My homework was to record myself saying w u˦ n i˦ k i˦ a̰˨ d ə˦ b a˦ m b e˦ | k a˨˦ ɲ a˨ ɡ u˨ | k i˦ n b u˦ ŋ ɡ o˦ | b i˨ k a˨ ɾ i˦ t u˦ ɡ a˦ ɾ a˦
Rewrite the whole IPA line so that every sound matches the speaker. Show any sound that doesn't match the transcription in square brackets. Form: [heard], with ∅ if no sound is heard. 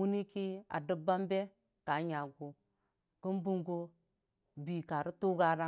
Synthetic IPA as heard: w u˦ n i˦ k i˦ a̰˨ d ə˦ b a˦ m b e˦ | k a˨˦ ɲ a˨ ɡ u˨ | k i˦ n b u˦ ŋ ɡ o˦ | b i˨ k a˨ ɾ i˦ t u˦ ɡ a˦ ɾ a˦